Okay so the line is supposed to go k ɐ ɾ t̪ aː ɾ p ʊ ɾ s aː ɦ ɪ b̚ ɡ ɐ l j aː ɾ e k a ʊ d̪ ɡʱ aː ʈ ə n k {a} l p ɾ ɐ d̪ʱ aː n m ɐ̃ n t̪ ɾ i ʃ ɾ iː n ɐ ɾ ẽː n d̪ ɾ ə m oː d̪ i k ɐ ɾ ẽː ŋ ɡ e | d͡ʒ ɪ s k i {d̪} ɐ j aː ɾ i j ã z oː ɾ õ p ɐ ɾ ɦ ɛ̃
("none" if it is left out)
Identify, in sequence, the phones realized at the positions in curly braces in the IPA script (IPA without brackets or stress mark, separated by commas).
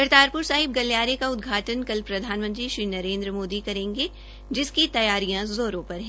ɐ, t̪